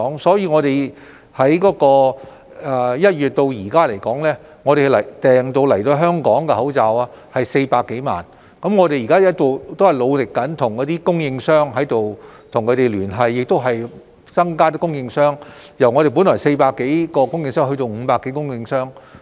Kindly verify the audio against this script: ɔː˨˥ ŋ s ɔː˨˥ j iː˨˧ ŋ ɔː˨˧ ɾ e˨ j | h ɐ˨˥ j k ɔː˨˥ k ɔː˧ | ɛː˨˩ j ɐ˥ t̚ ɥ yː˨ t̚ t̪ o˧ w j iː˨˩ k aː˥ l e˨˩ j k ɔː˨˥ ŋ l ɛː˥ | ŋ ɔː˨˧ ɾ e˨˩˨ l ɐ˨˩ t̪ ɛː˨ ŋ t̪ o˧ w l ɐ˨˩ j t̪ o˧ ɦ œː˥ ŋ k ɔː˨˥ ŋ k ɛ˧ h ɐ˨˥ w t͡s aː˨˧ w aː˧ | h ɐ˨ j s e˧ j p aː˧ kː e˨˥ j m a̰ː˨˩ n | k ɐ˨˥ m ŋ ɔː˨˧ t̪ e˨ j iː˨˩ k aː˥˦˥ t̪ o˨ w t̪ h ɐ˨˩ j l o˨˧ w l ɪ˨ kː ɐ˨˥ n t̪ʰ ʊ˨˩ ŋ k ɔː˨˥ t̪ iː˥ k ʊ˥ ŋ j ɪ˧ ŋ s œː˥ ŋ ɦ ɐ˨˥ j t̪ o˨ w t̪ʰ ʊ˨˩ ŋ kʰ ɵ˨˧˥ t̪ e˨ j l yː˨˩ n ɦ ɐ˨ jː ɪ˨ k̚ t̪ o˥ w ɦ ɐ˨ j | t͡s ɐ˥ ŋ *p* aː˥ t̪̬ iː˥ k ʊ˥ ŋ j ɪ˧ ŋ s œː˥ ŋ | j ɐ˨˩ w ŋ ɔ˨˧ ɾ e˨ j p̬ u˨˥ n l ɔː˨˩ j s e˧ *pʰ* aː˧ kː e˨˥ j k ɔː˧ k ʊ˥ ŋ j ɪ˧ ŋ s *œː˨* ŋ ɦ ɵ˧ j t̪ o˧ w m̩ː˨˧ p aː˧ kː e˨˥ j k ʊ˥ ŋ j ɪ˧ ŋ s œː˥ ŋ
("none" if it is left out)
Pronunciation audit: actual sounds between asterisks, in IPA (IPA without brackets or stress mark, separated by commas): k, p, œː˥